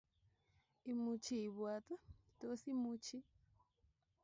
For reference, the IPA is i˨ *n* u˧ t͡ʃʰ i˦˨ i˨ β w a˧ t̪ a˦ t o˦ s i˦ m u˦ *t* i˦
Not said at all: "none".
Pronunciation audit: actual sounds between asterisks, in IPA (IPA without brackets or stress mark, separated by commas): m, t͡ʃ